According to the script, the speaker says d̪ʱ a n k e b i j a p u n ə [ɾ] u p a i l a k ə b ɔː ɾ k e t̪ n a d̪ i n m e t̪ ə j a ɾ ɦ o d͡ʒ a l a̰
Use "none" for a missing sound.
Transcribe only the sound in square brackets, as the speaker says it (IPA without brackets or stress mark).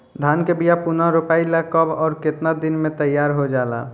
ɾ